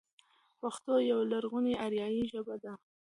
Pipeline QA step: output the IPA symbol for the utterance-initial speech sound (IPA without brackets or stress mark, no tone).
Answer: p